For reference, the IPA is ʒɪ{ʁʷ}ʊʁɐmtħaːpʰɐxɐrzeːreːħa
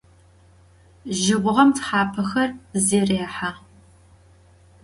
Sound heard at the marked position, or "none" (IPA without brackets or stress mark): ʁʷ